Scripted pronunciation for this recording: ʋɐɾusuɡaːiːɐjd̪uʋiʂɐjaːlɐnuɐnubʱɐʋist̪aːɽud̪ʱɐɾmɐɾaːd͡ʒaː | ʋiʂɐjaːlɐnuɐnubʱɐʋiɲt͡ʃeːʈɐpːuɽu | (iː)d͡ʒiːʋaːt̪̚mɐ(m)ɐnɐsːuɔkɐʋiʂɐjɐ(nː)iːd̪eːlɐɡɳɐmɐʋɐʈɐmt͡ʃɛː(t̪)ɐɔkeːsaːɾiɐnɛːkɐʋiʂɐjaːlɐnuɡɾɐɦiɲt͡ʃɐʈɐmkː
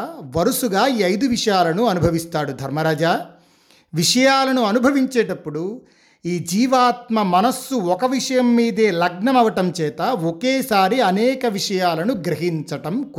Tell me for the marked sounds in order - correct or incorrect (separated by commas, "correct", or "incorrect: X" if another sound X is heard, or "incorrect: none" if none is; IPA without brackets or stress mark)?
correct, correct, incorrect: mː, correct